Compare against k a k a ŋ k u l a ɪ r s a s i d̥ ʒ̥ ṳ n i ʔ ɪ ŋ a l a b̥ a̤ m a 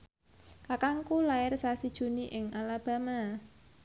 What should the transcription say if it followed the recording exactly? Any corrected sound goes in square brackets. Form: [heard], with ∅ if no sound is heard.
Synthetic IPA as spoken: k a k a ŋ k u l a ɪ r s a s i d̥ ʒ̥ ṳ n i ʔ ɪ ŋ a l a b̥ a̤ m a